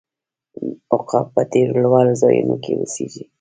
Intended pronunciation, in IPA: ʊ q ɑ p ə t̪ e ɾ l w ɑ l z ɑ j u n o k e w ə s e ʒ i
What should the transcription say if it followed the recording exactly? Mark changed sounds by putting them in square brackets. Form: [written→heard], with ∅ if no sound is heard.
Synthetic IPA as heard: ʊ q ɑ p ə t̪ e ɾ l w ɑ l z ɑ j u n o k e w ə s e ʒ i